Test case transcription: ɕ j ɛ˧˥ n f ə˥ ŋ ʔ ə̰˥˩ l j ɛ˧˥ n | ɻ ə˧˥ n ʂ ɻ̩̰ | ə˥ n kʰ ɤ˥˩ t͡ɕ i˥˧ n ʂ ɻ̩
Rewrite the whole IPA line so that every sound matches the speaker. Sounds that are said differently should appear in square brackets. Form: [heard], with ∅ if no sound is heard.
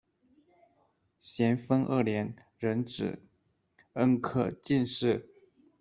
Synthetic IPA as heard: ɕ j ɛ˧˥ n f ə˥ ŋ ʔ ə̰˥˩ l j ɛ˧˥ n | ɻ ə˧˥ n [ʈ͡ʂ] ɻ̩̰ | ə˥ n kʰ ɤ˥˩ t͡ɕ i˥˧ n ʂ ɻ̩